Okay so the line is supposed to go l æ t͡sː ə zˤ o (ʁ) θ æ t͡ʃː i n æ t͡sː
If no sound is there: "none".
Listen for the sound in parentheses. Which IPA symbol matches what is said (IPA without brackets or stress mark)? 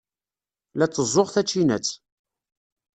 ʁ